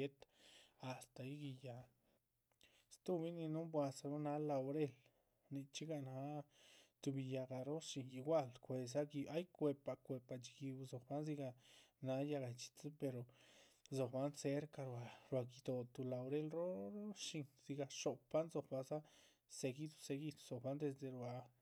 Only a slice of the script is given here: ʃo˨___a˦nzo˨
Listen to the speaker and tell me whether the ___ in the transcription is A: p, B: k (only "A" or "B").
A